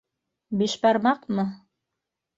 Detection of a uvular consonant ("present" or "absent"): present